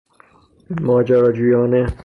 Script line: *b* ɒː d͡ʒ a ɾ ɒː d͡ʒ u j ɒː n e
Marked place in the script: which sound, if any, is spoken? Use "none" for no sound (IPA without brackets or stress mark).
m